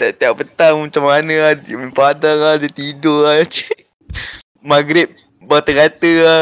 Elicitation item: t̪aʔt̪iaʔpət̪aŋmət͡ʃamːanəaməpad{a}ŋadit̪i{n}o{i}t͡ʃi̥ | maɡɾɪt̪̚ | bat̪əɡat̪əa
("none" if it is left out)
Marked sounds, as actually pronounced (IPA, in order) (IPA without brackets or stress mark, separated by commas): a, d, a